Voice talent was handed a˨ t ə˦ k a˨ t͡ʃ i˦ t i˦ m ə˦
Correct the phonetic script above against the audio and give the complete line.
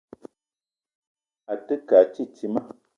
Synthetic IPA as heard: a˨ t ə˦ k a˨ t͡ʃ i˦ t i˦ m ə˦

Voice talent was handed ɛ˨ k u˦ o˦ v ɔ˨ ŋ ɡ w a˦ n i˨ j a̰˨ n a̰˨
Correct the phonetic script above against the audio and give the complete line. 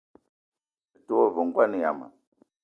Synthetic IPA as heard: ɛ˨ t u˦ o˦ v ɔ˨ ŋ ɡ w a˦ n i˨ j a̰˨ m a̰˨

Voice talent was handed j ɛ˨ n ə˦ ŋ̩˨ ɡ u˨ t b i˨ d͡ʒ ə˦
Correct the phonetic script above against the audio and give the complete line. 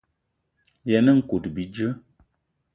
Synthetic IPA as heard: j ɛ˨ n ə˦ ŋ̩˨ k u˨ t b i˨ d͡ʒ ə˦

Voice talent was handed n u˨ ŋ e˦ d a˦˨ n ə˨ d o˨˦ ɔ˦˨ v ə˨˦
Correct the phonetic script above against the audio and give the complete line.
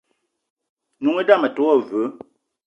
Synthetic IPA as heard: n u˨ ŋ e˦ d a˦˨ m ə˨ t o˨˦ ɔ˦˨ v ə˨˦

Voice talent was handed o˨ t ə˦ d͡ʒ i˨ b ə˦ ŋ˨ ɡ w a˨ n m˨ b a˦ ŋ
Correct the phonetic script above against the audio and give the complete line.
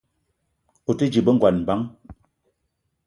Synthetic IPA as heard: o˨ t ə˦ d͡ʒ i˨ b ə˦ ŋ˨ ɡ w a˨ n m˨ b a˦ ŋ

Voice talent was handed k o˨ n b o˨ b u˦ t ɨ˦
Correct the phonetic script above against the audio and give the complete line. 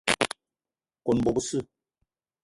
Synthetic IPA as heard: k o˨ n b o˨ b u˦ s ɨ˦

